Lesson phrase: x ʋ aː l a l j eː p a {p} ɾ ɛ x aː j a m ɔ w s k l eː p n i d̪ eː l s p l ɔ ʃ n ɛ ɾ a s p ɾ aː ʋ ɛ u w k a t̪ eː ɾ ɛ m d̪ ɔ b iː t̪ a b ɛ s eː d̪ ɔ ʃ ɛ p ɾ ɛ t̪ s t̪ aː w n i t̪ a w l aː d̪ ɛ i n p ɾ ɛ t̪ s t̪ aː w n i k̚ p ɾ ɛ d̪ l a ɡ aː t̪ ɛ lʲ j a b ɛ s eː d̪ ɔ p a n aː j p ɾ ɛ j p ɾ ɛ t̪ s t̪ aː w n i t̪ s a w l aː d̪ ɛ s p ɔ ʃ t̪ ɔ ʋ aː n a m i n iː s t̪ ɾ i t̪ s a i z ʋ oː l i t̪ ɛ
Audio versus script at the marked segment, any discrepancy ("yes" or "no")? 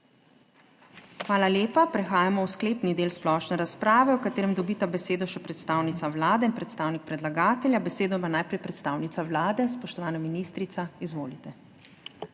no